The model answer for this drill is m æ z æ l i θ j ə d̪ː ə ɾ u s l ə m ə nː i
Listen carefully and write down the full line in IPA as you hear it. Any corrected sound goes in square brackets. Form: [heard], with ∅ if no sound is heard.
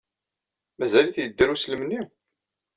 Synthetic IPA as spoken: m æ z æ l i θ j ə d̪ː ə ɾ u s l ə m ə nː i